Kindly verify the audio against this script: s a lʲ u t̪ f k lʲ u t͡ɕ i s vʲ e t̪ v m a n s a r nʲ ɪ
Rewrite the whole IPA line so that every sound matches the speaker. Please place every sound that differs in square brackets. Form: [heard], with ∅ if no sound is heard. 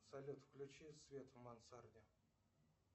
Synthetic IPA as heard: s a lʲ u t̪ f k lʲ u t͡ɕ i s vʲ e t̪ v m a n s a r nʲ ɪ